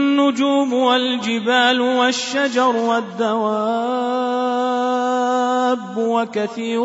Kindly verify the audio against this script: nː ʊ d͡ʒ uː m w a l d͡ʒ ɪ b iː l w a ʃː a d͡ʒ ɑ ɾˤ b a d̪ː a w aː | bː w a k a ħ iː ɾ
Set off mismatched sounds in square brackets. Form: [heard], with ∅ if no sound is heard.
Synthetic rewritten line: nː ʊ d͡ʒ uː m w a l d͡ʒ ɪ b [aː] l w a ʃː a d͡ʒ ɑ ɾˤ [w] a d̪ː a w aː | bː w a k a [θ] iː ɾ